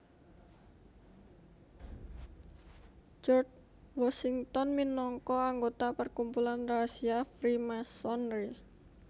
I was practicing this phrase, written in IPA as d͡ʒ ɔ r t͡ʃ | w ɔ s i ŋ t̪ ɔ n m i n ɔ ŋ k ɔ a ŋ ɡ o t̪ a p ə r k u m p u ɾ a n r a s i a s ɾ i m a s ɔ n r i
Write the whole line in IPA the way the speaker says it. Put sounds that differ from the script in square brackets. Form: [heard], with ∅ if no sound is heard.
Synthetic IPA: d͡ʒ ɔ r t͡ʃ | w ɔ s i ŋ t̪ ɔ n m i n ɔ ŋ k ɔ a ŋ ɡ o t̪ a p ə r k u m p u [l] a n r a s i a [f] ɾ i m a s ɔ n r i